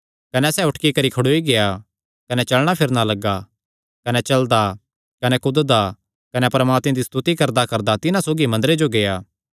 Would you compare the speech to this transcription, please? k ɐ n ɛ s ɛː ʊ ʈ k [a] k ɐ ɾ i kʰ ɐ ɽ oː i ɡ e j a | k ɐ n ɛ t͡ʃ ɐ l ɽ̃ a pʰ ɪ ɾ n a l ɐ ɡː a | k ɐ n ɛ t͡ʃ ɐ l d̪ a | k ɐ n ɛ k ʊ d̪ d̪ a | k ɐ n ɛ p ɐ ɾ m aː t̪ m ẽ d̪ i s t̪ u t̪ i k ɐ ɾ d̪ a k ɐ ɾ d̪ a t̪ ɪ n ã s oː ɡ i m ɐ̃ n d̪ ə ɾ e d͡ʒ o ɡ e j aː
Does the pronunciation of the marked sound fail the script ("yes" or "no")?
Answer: yes